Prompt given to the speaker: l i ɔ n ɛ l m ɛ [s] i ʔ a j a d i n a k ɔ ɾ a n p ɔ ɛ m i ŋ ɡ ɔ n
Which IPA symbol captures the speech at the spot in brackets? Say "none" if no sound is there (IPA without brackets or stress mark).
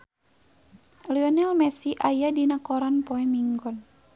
s